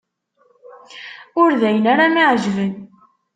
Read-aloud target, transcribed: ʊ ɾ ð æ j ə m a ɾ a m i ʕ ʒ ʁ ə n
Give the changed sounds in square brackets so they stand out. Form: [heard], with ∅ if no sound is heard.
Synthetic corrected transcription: ʊ ɾ ð æ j ə [n] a ɾ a m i ʕ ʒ [v] ə n